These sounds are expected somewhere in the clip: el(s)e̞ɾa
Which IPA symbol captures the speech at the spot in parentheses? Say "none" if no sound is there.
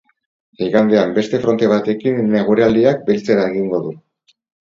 t͡s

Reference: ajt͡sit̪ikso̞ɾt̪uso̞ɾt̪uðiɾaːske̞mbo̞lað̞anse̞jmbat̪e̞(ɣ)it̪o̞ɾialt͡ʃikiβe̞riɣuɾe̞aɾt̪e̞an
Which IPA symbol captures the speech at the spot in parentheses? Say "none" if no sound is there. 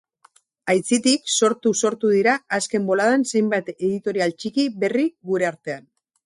ð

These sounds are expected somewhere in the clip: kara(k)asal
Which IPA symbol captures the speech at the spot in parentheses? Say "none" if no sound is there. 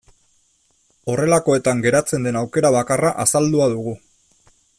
ʔ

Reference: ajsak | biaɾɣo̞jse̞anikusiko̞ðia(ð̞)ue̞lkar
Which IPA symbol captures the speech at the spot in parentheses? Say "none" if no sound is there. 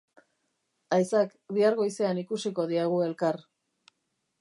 ɣ̞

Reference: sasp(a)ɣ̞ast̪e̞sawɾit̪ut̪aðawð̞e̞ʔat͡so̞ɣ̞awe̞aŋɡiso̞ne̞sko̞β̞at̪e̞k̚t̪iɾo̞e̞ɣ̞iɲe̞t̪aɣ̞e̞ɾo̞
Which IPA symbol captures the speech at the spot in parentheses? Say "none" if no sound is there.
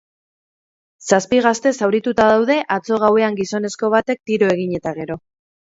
i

